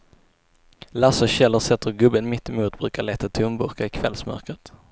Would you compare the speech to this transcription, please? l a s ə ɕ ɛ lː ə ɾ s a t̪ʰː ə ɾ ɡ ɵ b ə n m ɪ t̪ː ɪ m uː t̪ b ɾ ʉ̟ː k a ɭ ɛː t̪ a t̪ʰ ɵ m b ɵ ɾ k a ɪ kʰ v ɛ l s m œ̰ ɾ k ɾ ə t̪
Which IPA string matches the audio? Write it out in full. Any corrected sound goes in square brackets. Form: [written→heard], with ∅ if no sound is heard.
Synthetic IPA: l a s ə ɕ ɛ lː ə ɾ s [a→ɛ] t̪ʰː ə ɾ ɡ ɵ b ə n m ɪ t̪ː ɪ m uː t̪ b ɾ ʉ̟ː k a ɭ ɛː t̪ a t̪ʰ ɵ m b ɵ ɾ k a ɪ kʰ v ɛ l s m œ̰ ɾ k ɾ ə t̪